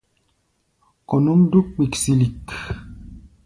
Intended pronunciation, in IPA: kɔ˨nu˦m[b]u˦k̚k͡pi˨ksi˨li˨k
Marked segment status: incorrect: d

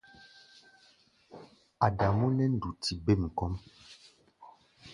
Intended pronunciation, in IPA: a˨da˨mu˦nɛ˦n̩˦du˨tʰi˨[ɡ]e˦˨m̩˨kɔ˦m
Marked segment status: incorrect: b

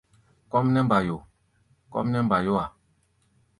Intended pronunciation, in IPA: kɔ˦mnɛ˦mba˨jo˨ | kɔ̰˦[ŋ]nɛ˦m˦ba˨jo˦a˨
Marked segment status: incorrect: m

